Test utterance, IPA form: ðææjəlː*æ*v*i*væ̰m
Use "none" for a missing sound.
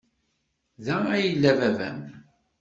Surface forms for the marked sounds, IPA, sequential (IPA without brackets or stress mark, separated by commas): æ, æ